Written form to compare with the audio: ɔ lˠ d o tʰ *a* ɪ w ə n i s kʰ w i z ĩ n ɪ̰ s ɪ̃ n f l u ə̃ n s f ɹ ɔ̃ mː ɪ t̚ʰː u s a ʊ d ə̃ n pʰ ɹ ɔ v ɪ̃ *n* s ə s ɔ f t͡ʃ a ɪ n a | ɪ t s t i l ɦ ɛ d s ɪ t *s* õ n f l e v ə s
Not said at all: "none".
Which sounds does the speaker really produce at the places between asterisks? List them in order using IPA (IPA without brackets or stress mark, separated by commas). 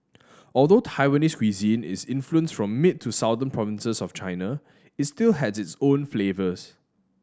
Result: a, n, s